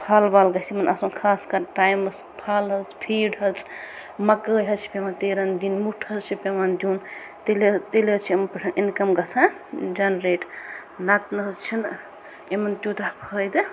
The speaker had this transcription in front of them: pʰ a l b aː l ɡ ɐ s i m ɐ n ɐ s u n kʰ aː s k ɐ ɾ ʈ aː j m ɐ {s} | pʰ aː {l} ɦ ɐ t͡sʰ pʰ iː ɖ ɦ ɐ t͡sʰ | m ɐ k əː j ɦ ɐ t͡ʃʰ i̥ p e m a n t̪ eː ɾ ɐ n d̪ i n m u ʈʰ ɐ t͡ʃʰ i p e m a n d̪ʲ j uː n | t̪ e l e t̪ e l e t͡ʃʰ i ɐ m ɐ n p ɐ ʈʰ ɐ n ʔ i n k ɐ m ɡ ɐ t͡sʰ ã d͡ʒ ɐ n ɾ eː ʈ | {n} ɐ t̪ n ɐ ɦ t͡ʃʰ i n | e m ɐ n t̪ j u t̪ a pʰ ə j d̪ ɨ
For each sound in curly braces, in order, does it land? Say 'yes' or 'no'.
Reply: yes, yes, yes

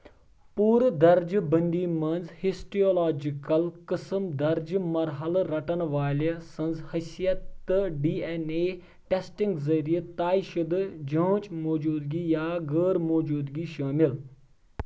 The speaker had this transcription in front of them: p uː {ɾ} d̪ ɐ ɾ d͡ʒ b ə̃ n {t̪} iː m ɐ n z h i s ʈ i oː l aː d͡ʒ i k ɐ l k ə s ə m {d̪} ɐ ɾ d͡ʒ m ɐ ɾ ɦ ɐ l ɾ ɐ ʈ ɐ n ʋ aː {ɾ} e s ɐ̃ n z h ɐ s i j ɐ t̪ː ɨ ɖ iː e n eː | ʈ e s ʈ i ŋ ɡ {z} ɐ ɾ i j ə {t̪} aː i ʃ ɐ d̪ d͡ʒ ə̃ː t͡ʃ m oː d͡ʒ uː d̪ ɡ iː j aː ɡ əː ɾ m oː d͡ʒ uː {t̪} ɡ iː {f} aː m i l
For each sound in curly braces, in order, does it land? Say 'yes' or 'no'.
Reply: yes, no, yes, no, yes, yes, no, no

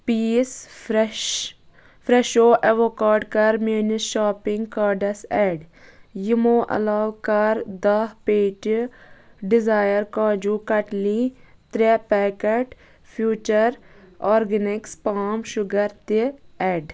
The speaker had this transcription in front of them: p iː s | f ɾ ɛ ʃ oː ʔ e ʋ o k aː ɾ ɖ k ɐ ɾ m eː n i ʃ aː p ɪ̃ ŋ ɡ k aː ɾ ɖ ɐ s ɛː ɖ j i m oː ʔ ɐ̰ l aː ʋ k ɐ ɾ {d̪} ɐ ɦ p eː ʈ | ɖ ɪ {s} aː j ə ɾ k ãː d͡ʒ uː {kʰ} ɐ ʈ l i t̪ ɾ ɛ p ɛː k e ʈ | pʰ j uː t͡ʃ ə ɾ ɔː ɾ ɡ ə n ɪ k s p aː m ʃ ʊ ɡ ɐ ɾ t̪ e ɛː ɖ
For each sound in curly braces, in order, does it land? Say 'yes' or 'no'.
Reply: yes, no, no

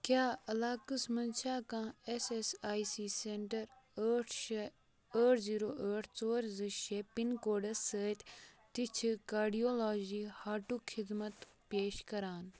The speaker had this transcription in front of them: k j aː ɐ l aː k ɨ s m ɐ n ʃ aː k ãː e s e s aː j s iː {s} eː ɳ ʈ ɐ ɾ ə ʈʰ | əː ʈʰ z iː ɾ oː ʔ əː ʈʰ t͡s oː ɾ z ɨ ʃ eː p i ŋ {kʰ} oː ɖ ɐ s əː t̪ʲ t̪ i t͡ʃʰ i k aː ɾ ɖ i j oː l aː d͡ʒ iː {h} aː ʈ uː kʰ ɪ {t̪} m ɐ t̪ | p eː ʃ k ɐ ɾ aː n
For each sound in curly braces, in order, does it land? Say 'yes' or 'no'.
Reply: yes, no, yes, no

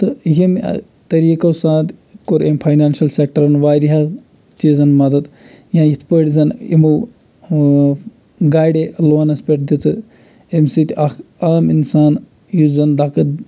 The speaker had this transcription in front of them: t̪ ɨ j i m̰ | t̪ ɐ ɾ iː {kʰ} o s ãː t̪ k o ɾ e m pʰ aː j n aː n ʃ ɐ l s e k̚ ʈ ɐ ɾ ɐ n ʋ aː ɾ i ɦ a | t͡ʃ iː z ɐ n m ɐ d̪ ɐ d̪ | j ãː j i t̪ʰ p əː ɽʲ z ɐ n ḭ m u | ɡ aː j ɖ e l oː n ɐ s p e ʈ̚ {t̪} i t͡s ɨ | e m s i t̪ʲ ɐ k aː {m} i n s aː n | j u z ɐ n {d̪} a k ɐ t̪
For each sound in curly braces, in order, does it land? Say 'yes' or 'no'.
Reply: no, no, yes, yes

